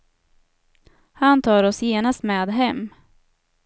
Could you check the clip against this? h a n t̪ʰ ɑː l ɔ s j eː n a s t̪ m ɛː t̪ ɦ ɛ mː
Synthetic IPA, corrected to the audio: h a n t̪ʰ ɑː ɾ ɔ s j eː n a s t̪ m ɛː d̪ ɦ ɛ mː